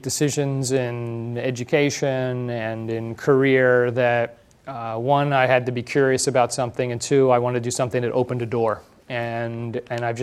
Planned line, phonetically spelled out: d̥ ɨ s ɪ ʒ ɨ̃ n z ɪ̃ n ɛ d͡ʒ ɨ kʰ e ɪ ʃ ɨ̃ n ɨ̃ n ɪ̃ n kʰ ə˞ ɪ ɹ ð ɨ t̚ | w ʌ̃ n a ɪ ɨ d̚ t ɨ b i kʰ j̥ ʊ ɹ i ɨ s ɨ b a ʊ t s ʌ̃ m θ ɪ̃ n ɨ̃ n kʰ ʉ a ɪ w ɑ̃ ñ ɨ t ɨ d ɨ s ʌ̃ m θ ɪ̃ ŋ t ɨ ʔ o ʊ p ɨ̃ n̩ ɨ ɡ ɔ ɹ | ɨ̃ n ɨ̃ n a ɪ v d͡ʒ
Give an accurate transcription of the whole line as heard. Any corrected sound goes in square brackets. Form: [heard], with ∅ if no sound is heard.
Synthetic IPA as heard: d̥ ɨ s ɪ ʒ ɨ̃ n z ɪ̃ n ɛ d͡ʒ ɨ kʰ e ɪ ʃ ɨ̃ n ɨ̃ n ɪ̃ n kʰ ə˞ ɪ ɹ ð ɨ t̚ | w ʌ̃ n a ɪ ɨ d̚ t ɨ b i kʰ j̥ ʊ ɹ i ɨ s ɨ b a ʊ t s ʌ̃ m θ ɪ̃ [ŋ] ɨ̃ n [tʰ] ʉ a ɪ w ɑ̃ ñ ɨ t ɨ d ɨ s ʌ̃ m θ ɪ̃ ŋ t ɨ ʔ o ʊ p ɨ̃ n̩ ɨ [d] ɔ ɹ | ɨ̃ n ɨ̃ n a ɪ v d͡ʒ